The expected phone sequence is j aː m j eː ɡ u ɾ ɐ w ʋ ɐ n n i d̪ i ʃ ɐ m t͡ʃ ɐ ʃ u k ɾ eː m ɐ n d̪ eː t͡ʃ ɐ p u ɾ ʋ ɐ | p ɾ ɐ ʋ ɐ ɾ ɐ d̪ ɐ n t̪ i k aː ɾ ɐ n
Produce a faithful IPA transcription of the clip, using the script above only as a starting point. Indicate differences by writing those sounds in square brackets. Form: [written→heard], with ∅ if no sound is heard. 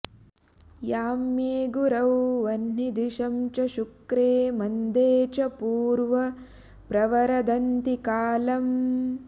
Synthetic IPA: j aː m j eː ɡ u ɾ ɐ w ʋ ɐ n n i d̪ i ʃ ɐ m t͡ʃ ɐ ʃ u k ɾ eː m ɐ n d̪ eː t͡ʃ ɐ p [u→uː] ɾ ʋ ɐ | p ɾ ɐ ʋ ɐ ɾ ɐ d̪ ɐ n t̪ i k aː [ɾ→l] ɐ [n→m]